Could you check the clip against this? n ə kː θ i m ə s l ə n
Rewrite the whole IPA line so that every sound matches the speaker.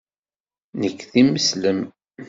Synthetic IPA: n ə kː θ i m ə s l ə m